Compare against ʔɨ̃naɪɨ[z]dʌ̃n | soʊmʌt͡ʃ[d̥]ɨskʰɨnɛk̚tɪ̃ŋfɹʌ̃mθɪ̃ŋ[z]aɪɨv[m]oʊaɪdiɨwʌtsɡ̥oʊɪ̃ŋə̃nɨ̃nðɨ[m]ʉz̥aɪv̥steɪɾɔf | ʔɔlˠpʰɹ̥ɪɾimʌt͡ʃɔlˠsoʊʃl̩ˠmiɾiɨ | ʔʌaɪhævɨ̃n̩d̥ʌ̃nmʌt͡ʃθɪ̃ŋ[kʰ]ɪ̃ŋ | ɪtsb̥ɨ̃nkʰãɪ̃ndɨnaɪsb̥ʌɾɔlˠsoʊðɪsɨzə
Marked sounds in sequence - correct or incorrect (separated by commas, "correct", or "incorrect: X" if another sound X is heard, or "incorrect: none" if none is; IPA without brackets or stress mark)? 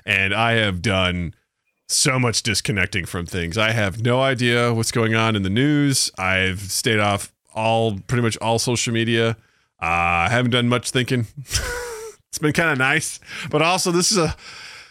incorrect: v, correct, correct, incorrect: n, incorrect: n, incorrect: k